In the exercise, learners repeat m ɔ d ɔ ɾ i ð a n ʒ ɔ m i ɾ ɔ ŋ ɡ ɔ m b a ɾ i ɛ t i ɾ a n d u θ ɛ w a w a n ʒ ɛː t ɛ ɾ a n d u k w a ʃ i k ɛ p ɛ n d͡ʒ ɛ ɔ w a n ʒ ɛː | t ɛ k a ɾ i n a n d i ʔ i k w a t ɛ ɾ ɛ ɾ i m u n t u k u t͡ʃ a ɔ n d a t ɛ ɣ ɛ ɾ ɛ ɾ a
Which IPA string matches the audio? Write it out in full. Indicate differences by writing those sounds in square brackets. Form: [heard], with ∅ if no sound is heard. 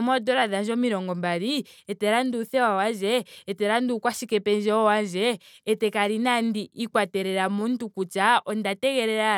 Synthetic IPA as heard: m ɔ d ɔ ɾ [a] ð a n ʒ ɔ m i ɾ ɔ ŋ ɡ ɔ m b a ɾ i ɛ t [ɛ] ɾ a n d u θ ɛ w a w a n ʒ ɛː t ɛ ɾ a n d u k w a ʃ i k ɛ p ɛ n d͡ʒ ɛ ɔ w a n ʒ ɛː | t ɛ k a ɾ i n a n d i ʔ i k w a t ɛ ɾ ɛ ɾ [a] m u n t u k u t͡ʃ a ɔ n d a t ɛ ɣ ɛ ɾ ɛ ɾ a